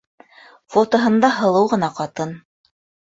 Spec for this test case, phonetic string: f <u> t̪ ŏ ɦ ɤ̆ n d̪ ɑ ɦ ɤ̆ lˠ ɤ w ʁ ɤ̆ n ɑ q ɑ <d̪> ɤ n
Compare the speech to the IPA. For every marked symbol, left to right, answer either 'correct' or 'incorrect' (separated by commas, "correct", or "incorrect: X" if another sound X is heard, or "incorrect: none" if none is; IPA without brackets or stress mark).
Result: incorrect: o, incorrect: t̪